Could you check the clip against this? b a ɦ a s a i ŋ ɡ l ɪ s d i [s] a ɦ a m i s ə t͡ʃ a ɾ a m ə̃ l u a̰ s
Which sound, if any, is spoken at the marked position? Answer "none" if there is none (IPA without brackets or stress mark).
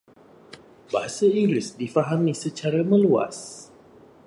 f